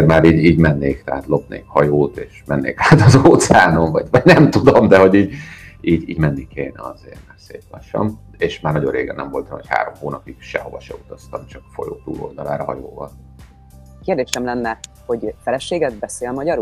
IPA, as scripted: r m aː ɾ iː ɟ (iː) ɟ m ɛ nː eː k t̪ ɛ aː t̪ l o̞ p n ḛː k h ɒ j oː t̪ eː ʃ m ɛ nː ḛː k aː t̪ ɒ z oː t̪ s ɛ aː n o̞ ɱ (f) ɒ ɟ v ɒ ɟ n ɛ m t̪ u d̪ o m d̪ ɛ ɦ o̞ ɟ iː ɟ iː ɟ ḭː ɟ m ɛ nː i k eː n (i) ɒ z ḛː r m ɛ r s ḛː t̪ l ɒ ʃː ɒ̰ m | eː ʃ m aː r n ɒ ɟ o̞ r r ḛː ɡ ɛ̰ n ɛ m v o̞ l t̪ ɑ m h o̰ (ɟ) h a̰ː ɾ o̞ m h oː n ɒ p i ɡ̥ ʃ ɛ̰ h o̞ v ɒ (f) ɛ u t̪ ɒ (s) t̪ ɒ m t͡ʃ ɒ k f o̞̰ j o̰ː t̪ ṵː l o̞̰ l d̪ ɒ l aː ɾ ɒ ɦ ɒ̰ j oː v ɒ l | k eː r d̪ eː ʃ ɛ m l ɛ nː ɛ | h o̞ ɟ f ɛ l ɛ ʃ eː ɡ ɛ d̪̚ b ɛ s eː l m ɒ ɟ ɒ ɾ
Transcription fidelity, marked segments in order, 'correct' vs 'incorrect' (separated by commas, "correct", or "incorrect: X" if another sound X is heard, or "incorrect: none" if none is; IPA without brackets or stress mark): correct, incorrect: v, incorrect: ɛ, incorrect: c, incorrect: ʃ, correct